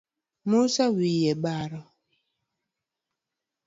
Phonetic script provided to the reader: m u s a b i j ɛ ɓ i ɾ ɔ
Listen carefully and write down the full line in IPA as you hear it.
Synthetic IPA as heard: m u s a w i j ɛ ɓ a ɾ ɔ